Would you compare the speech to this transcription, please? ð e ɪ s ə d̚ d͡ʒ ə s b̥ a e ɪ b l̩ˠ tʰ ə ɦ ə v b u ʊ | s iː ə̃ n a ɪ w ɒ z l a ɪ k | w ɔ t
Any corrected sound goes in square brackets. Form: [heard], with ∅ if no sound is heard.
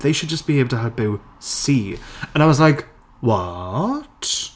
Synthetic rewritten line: ð e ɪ [ʃ] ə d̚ d͡ʒ [ʌ] s b̥ [i] e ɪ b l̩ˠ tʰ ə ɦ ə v b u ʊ | s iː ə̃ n a ɪ w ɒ z l a ɪ k | w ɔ t